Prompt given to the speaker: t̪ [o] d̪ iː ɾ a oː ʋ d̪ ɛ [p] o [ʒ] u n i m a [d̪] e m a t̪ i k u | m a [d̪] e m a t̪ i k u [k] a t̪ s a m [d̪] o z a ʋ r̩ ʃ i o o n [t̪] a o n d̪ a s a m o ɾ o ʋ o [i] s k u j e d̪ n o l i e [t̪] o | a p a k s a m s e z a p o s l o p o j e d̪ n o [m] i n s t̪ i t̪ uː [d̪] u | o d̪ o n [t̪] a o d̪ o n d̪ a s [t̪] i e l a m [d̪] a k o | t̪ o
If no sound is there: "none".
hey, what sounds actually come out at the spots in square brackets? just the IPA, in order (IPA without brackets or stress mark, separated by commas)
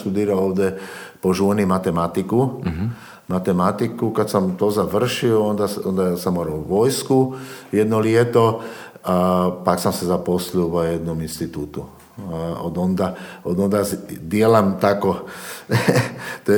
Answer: u, p, ʒ, t̪, t̪, k, t̪, d̪, j, t̪, m, t̪, d̪, d̪, t̪